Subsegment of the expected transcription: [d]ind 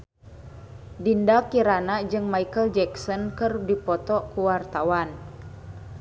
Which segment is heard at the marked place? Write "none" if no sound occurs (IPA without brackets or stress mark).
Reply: d